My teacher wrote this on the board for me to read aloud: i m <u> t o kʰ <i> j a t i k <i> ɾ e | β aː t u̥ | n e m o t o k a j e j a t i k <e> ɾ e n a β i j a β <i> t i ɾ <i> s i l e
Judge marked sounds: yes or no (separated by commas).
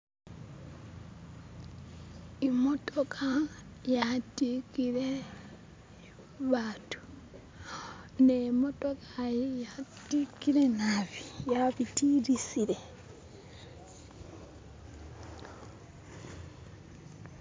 no, no, yes, no, yes, yes